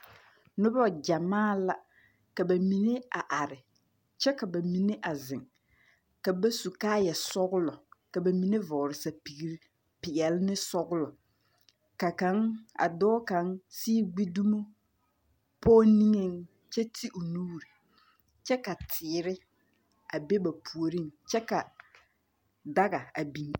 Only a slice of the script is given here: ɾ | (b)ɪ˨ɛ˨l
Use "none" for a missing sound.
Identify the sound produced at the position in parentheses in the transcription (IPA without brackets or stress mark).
p